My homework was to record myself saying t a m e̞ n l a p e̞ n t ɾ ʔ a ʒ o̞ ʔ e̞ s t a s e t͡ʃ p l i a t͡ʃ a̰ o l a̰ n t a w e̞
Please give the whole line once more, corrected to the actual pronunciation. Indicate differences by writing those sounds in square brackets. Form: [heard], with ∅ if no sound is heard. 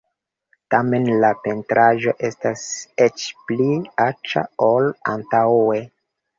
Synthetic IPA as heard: t a m e̞ n l a p e̞ n t ɾ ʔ a ʒ o̞ ʔ e̞ s t a s e t͡ʃ p l i a t͡ʃ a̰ o l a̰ n t a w e̞